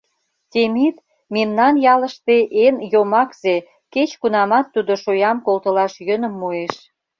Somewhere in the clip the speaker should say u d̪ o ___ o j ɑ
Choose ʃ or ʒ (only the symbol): ʃ